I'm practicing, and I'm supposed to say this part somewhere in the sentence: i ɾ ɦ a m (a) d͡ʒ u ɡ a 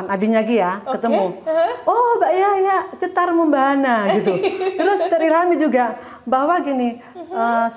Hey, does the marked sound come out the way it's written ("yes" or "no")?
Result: no